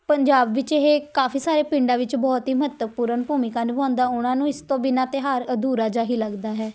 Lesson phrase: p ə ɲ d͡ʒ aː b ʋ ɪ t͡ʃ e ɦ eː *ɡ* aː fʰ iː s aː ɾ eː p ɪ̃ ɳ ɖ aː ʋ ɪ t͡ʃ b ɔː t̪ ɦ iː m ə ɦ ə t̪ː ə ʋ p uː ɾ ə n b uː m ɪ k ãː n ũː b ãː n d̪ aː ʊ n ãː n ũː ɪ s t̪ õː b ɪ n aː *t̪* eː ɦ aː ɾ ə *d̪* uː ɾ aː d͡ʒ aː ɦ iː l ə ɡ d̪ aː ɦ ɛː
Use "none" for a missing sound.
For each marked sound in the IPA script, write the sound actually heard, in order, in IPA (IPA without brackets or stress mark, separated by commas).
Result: k, t̪, d̪